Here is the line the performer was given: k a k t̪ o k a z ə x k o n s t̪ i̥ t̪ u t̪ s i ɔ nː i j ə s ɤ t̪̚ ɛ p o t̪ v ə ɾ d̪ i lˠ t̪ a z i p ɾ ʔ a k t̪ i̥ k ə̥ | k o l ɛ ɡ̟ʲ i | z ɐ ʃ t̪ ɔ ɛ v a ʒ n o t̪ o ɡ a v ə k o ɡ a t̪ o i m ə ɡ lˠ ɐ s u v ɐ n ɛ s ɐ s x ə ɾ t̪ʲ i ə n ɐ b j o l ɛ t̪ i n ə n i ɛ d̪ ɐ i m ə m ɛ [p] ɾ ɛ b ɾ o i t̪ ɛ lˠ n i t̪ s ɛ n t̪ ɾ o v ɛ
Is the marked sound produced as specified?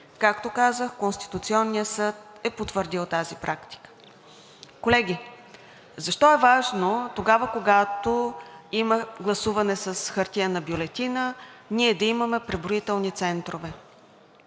yes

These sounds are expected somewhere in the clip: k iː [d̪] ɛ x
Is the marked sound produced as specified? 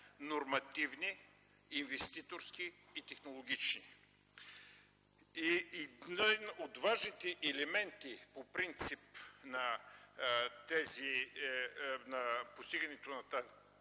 no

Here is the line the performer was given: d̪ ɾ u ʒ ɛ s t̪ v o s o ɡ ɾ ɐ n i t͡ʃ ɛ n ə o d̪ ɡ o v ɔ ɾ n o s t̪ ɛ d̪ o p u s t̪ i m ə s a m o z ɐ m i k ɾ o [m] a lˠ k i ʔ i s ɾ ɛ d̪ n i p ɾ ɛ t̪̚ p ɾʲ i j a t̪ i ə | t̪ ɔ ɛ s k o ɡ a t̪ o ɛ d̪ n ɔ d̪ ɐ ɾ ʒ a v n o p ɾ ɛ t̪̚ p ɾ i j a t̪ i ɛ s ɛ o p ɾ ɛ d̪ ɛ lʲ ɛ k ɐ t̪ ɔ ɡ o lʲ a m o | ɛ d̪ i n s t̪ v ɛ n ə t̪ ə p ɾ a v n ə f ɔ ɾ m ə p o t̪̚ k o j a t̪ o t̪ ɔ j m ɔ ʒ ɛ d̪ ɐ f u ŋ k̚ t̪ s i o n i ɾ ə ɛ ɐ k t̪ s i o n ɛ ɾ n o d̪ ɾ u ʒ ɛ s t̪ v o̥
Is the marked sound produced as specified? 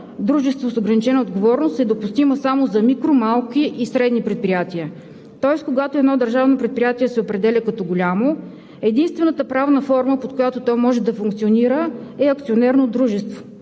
yes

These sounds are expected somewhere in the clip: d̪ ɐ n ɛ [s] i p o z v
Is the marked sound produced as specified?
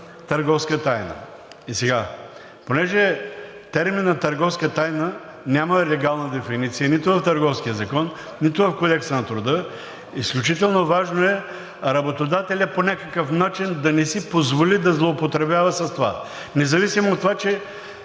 yes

